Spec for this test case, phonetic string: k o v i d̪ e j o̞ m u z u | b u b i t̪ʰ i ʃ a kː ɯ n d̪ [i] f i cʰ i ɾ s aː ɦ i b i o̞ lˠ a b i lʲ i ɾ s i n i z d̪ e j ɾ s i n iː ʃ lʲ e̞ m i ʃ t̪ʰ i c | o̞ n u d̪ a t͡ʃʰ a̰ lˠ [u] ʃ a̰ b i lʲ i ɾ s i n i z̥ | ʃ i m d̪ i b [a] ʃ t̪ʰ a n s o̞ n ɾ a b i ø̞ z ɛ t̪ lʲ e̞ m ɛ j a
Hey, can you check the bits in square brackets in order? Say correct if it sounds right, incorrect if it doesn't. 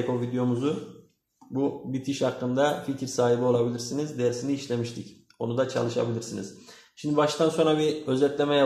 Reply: incorrect, incorrect, correct

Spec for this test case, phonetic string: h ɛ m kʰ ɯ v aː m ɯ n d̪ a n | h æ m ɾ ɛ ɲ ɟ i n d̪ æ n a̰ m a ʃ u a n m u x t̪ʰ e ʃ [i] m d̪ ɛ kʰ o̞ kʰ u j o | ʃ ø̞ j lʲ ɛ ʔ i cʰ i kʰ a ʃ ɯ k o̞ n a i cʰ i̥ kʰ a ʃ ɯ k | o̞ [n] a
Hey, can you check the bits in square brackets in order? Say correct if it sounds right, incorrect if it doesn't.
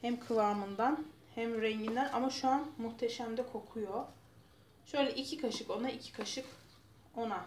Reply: incorrect, correct

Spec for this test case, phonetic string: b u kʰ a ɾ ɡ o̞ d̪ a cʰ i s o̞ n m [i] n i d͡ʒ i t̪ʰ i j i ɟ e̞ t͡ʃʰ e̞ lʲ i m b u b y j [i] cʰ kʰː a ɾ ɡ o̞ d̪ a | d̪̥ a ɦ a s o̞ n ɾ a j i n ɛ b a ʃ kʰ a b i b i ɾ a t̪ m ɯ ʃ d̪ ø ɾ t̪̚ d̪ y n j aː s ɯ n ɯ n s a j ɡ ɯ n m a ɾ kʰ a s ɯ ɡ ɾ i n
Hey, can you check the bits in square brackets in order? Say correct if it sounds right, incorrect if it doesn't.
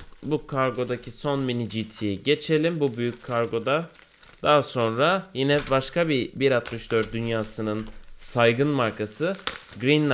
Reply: correct, incorrect

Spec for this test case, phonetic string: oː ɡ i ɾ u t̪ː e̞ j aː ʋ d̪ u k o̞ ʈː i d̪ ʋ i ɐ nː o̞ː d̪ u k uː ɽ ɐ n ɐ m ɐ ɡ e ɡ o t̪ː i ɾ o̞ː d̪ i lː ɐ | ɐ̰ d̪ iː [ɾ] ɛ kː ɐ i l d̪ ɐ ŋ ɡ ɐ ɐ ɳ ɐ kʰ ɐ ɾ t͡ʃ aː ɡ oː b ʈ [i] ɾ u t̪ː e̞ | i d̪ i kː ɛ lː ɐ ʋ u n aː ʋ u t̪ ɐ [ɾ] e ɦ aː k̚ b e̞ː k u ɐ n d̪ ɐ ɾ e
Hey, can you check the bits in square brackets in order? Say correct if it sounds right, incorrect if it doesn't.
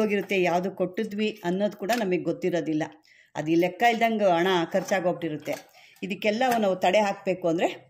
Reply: incorrect, correct, incorrect

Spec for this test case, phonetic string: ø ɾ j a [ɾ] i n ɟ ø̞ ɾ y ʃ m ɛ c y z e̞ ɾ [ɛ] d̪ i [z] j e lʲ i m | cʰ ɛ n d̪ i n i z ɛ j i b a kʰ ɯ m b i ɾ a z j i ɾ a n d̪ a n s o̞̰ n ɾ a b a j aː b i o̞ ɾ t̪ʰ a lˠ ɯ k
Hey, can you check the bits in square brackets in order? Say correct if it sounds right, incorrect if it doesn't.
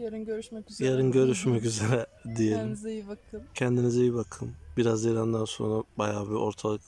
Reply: correct, correct, incorrect

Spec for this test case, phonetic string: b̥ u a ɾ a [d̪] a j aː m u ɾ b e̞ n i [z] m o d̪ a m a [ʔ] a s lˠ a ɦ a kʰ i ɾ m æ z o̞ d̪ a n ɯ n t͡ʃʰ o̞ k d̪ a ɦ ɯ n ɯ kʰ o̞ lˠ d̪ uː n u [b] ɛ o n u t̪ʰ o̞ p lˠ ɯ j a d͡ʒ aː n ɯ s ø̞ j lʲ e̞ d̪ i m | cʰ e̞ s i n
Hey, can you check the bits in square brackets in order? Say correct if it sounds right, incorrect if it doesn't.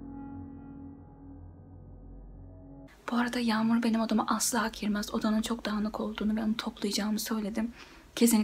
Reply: correct, incorrect, correct, incorrect

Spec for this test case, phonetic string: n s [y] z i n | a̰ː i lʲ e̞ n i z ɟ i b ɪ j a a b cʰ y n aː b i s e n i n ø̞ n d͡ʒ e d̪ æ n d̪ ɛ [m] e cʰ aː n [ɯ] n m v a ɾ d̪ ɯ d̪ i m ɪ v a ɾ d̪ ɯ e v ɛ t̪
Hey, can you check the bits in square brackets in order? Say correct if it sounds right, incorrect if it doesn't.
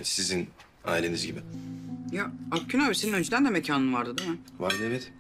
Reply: incorrect, correct, correct

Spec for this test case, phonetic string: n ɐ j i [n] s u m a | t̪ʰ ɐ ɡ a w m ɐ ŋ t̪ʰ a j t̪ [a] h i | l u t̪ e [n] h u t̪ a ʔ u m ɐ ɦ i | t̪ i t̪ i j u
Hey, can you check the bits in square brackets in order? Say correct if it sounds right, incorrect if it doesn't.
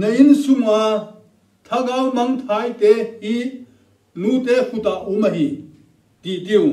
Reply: correct, incorrect, incorrect

